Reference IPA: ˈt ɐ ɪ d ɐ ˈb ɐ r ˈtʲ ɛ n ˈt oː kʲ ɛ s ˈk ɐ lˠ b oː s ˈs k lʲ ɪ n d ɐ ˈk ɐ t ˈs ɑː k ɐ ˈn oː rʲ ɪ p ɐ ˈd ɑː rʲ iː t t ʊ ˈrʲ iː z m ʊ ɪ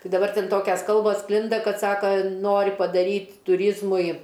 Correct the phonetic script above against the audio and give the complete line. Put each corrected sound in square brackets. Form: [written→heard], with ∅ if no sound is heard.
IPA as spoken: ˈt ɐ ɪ d ɐ ˈb ɐ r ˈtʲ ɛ n ˈt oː kʲ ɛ s ˈk ɐ lˠ b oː s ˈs k lʲ ɪ n d ɐ ˈk ɐ t ˈs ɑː k ɐ ˈn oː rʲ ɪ p ɐ ˈd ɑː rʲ iː t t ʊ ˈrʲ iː z m ʊ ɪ